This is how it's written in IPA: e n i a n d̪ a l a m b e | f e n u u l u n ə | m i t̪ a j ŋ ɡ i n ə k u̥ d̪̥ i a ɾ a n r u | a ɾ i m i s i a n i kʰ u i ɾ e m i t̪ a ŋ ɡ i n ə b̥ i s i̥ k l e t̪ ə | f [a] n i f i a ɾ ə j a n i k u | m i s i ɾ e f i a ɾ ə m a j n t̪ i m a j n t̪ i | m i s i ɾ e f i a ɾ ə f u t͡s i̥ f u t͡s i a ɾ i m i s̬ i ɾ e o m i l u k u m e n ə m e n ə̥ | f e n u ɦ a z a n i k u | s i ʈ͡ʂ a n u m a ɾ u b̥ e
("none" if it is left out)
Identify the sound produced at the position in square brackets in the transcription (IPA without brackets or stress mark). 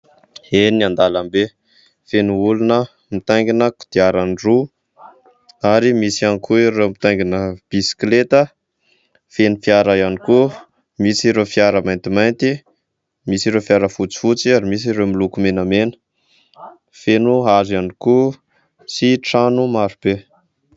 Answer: e